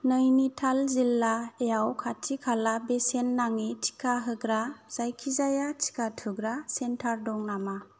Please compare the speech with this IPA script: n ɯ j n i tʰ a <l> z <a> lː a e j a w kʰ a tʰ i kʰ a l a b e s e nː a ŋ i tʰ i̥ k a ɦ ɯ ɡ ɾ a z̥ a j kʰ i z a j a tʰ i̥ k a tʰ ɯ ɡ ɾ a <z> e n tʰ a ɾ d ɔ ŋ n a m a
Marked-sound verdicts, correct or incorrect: correct, incorrect: i, incorrect: s

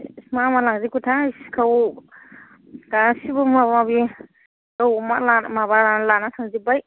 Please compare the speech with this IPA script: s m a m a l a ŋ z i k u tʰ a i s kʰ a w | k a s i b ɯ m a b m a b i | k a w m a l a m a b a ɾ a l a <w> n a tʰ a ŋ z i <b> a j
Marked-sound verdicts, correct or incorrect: incorrect: none, correct

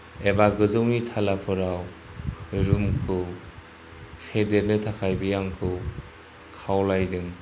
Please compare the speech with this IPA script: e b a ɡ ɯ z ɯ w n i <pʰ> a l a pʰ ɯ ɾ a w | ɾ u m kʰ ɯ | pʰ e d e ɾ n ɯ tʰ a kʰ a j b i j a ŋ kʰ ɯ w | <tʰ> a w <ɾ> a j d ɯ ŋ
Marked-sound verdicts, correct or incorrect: incorrect: tʰ, incorrect: kʰ, incorrect: l

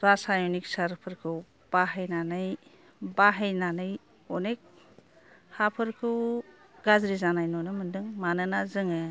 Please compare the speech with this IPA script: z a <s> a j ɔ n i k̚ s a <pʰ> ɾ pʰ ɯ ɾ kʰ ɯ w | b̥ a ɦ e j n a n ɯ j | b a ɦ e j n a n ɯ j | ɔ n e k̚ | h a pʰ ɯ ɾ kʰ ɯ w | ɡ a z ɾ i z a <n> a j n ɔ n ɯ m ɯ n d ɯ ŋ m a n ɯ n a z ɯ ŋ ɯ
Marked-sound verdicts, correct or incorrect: correct, incorrect: none, correct

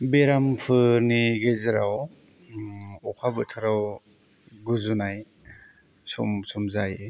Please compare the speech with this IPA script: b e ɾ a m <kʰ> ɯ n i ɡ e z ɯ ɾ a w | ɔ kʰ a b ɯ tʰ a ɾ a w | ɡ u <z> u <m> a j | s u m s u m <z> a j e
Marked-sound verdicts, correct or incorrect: incorrect: pʰ, correct, incorrect: n, correct

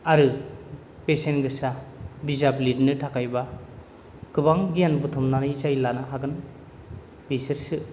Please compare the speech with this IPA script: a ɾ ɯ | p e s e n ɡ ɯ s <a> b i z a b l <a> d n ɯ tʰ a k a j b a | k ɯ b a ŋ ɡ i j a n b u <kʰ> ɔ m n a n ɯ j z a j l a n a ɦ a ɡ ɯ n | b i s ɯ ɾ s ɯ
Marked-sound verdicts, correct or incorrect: correct, incorrect: i, incorrect: tʰ

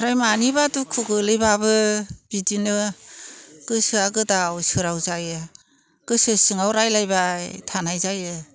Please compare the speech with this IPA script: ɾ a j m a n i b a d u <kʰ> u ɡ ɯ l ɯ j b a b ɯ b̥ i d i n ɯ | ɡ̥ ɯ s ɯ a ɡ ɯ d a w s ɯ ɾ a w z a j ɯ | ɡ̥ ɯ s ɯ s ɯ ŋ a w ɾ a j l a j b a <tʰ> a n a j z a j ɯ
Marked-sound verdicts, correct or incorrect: correct, correct

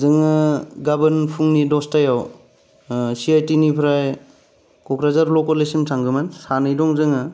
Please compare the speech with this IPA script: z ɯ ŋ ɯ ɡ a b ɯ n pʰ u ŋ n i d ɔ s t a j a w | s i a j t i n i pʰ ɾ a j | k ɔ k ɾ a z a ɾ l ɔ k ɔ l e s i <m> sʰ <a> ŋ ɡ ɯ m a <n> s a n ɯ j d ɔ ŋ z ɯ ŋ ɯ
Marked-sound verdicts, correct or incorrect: correct, correct, correct

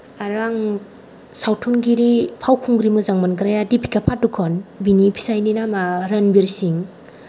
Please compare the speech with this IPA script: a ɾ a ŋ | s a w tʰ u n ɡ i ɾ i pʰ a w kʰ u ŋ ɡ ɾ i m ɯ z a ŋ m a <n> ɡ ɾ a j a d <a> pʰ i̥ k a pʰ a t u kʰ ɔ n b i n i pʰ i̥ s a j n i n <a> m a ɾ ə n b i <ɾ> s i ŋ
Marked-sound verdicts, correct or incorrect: correct, incorrect: i, correct, correct

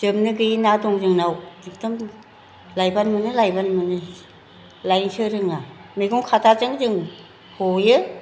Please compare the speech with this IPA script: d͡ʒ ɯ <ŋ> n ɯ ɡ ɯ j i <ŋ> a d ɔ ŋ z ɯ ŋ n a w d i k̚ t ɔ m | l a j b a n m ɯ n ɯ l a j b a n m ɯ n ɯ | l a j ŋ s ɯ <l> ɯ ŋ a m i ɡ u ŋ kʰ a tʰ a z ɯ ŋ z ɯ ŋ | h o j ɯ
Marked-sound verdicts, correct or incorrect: incorrect: m, incorrect: n, incorrect: ɾ

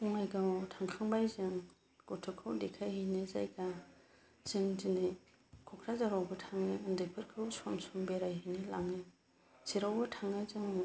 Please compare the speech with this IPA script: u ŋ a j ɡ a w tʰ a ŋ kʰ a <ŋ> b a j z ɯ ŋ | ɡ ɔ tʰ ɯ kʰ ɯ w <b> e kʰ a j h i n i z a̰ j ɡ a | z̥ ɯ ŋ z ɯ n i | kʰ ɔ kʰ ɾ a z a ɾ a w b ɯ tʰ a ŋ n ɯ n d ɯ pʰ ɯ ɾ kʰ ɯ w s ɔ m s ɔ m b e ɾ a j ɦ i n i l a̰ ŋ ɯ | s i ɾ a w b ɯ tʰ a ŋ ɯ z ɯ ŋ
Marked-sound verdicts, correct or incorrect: correct, incorrect: d

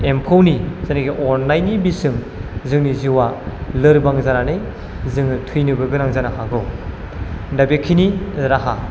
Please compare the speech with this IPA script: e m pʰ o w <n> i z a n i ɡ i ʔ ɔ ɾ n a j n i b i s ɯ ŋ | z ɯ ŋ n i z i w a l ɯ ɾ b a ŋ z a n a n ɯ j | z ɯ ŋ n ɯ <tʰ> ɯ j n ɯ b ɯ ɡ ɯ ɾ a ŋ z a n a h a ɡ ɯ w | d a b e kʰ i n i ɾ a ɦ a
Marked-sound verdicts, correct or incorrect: correct, correct

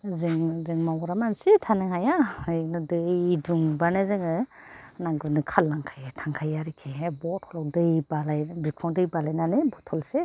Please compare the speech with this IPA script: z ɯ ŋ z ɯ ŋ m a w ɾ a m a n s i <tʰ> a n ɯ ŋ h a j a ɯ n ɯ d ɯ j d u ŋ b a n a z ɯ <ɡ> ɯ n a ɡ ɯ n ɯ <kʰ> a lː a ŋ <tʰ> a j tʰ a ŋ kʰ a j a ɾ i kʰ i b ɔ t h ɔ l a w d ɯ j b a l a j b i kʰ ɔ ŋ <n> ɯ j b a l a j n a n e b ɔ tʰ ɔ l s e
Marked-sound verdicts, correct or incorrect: correct, incorrect: ŋ, correct, incorrect: kʰ, incorrect: d

